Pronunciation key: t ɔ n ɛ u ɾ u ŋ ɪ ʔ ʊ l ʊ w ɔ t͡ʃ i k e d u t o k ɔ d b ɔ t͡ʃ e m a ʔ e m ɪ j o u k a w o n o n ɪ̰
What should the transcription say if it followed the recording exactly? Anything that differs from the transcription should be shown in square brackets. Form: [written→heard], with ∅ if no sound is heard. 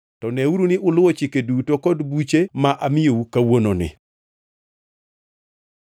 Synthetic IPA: t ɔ n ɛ u ɾ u [ŋ→n] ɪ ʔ ʊ l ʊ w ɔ t͡ʃ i k e d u t o k ɔ d b [ɔ→u] t͡ʃ e m a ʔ [e→a] m ɪ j o u k a w o n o n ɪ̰

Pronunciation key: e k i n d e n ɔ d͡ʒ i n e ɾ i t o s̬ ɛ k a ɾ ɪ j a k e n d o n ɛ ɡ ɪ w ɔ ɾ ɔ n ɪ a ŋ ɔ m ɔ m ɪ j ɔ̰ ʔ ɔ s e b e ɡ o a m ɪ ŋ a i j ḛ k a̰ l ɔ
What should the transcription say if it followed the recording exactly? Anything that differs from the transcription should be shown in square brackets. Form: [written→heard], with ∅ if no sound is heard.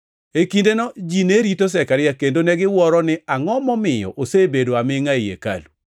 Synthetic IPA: e k i n d e n ɔ d͡ʒ i n e ɾ i t o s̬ ɛ k a ɾ ɪ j a k e n d o n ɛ ɡ ɪ w ɔ ɾ ɔ n ɪ a ŋ ɔ m ɔ m ɪ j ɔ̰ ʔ [ɔ→o] s e b e [ɡ→d] o a m ɪ ŋ a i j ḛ k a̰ l [ɔ→u]

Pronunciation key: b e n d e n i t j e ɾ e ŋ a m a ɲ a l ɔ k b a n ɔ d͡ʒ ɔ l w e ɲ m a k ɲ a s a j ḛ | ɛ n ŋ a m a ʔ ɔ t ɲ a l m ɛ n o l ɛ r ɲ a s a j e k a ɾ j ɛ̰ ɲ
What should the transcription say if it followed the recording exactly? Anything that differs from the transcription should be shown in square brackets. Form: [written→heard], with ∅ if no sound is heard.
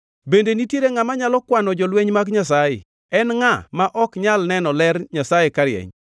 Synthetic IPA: b e n d e n i t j e ɾ e ŋ a m a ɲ a l ɔ k [b→w] a n ɔ d͡ʒ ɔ l w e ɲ m a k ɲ a s a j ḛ | ɛ n ŋ a m a ʔ ɔ [t→k] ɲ a l [m→n] ɛ n [o→ɔ] l ɛ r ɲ a s a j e k a ɾ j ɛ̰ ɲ

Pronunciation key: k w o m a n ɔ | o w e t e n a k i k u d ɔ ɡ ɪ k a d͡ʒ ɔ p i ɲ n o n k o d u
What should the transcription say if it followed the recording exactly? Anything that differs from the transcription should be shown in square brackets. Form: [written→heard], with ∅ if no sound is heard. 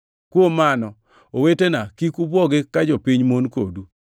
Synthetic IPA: k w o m a n ɔ | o w e t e n a k i k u [d→b] ɔ ɡ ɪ k a d͡ʒ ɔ p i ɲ [n→m] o n k o d u

